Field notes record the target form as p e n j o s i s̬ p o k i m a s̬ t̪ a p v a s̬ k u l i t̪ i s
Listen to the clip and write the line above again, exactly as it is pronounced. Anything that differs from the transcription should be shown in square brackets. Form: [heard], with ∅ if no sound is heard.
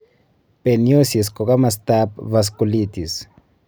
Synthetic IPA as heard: p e n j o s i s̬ [k] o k [a] m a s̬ t̪ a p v a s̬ k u l i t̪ i s